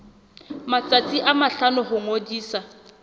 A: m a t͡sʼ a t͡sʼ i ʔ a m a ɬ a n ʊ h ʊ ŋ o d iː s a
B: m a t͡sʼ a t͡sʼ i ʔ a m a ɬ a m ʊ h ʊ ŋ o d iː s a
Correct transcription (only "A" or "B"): A